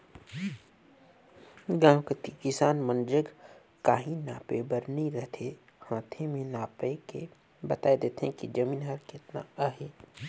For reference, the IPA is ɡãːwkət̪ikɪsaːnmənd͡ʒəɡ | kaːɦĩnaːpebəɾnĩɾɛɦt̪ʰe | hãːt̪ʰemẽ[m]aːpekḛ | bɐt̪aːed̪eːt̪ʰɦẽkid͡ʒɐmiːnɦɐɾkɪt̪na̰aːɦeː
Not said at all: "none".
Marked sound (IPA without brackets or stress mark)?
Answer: n